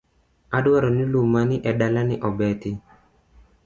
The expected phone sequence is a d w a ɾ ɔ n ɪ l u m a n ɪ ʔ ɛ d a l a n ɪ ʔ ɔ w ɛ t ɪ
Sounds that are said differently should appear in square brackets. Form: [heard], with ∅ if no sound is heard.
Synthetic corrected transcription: a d w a ɾ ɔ n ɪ l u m a n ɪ ʔ ɛ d a l a n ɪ ʔ ɔ [b] ɛ t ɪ